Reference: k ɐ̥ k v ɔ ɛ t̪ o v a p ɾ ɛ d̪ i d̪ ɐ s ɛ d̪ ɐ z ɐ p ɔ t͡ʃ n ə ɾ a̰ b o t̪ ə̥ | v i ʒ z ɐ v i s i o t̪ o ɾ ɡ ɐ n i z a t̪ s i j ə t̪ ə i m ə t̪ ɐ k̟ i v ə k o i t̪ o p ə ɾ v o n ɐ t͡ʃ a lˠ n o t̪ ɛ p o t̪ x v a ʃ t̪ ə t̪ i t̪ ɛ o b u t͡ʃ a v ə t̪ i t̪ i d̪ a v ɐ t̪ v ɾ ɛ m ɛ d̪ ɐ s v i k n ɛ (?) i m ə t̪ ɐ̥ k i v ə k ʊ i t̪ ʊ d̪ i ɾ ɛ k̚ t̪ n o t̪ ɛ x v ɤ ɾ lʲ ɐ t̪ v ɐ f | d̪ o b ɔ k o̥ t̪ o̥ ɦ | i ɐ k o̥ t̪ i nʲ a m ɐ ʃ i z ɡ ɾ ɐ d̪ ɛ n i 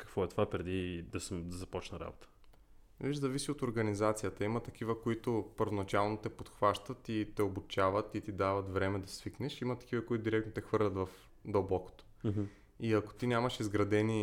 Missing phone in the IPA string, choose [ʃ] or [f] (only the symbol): ʃ